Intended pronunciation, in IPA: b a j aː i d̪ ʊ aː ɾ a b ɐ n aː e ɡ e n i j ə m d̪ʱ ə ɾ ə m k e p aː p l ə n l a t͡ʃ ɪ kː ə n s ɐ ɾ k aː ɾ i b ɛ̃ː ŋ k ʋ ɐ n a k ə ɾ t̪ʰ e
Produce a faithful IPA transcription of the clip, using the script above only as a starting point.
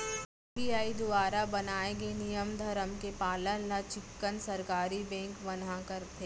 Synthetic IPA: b i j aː i d̪ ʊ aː ɾ a b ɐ n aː e ɡ e n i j ə m d̪ʱ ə ɾ ə m k e p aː l ə n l a t͡ʃ ɪ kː ə n s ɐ ɾ k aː ɾ i b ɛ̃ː ŋ k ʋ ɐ n a k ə ɾ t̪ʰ e